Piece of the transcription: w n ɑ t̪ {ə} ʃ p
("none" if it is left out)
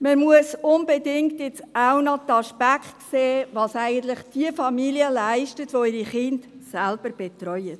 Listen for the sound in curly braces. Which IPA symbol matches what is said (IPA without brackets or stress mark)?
ɑ